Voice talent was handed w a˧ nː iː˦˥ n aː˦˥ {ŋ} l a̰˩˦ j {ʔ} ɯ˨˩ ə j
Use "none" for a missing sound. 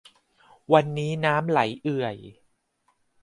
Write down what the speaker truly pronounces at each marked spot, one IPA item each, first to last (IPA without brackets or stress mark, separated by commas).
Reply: m, ʔ